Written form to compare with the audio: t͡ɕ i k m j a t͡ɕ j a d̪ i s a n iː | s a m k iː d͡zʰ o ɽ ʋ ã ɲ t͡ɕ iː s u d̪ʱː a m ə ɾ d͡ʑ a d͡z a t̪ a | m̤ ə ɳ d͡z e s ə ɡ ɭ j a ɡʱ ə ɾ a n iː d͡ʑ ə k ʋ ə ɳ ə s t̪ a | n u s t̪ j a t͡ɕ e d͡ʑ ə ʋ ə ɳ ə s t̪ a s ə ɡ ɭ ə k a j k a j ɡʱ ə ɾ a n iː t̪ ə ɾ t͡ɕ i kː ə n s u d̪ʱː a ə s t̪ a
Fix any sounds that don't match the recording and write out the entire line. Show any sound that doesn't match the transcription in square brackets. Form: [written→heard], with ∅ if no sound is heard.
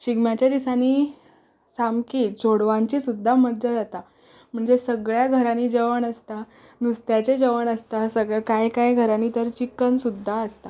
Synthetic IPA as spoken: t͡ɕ i [k→ɡ] m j a t͡ɕ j a d̪ i s a n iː | s a m k iː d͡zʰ o ɽ ʋ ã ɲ t͡ɕ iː s u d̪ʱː a m ə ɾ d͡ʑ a d͡z a t̪ a | m̤ ə ɳ d͡z e s ə ɡ ɭ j a ɡʱ ə ɾ a n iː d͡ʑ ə [k→∅] ʋ ə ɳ ə s t̪ a | n u s t̪ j a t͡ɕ e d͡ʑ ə ʋ ə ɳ ə s t̪ a s ə ɡ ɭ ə k a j k a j ɡʱ ə ɾ a n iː t̪ ə ɾ t͡ɕ i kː ə n s u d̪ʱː a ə s t̪ a